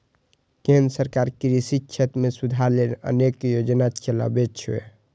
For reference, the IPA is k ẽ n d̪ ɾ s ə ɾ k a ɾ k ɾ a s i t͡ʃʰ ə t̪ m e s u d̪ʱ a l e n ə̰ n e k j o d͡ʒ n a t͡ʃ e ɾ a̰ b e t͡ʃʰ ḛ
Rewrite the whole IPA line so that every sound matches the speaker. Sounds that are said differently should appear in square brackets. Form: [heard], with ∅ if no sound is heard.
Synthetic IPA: k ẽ n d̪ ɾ s ə ɾ k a ɾ k ɾ [i] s i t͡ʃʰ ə t̪ m e s u d̪ʱ a l e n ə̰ n e k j o d͡ʒ n a t͡ʃ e [l] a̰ b e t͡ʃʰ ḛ